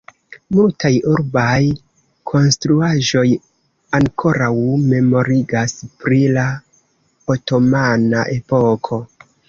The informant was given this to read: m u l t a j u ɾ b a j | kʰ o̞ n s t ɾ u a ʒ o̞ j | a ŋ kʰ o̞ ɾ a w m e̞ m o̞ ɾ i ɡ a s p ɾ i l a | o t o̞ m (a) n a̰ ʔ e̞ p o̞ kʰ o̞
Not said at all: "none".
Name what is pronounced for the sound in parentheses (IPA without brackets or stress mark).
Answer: a